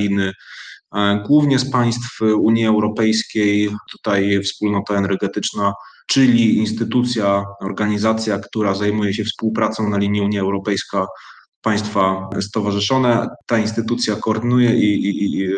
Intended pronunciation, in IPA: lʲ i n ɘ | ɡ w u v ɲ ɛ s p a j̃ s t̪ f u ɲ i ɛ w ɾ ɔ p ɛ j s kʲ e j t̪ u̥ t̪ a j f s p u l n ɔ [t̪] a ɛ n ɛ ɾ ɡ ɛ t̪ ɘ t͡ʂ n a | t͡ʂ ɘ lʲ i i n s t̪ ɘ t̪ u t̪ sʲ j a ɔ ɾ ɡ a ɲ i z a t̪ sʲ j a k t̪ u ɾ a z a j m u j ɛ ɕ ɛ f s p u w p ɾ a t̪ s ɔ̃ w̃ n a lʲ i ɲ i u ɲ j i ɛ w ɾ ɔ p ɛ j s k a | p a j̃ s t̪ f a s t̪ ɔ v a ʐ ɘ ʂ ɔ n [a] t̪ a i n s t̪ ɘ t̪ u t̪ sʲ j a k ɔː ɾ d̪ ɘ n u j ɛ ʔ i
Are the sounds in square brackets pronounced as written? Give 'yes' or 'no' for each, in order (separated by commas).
yes, no